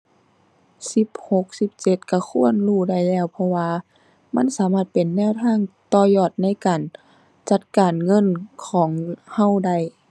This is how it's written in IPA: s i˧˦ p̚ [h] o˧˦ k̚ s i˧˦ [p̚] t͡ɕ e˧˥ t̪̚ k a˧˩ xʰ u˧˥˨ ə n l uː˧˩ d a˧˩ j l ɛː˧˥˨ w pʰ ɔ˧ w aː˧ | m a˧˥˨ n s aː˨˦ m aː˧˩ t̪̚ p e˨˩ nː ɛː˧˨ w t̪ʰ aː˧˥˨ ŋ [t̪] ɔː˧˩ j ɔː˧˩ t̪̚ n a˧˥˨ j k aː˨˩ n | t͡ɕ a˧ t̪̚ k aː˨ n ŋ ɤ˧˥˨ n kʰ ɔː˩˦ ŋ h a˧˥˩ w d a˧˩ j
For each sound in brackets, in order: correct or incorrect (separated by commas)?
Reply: correct, correct, correct